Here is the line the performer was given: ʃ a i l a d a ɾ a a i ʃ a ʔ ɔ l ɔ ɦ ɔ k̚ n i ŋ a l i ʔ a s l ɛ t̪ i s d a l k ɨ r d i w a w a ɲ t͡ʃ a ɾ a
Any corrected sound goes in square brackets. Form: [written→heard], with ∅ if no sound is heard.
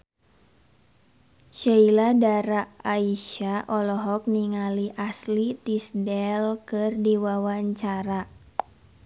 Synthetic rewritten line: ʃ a i l a d a ɾ a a i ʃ a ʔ ɔ l ɔ ɦ ɔ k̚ n i ŋ a l i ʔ a s l [ɛ→i] t̪ i s d [a→ɛ] l k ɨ r d i w a w a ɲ t͡ʃ a ɾ a